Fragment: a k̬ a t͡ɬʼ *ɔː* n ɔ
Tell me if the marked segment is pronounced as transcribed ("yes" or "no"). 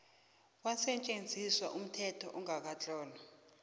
yes